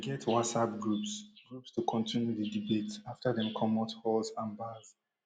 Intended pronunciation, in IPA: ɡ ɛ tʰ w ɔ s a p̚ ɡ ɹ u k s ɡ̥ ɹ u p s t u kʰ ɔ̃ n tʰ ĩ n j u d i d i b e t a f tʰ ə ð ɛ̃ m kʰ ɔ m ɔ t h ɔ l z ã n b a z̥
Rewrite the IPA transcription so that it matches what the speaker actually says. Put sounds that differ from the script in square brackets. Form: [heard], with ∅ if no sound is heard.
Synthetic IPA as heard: ɡ ɛ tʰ w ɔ s a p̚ ɡ ɹ u [p] s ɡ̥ ɹ u p s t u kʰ ɔ̃ n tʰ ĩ n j u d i d i b e t a f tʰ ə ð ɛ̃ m kʰ ɔ m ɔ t h ɔ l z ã n b a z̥